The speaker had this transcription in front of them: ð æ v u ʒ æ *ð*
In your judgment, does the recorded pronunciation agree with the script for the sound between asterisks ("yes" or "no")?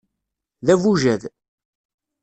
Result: yes